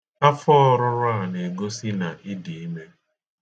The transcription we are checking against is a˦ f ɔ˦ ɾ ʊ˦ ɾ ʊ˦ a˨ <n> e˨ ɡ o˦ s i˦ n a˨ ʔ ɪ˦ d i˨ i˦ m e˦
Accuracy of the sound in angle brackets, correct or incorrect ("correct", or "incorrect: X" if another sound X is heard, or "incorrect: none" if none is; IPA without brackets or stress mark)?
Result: correct